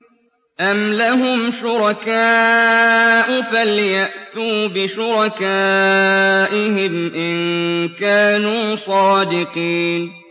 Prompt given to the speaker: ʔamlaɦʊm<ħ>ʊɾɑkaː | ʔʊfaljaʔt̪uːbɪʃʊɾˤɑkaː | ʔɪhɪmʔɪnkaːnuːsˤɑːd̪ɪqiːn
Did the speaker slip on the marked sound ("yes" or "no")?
yes